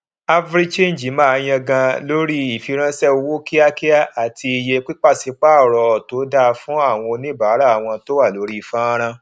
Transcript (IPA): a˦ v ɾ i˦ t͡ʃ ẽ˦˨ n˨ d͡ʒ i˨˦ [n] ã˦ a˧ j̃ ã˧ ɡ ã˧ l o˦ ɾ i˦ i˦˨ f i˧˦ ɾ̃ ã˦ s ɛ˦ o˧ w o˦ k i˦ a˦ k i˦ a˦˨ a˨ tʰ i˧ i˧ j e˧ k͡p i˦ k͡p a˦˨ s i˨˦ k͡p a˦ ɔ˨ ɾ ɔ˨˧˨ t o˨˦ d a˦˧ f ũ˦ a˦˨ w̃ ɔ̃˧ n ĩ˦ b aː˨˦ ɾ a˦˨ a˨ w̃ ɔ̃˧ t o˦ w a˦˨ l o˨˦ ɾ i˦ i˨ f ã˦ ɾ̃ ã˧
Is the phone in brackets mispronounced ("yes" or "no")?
yes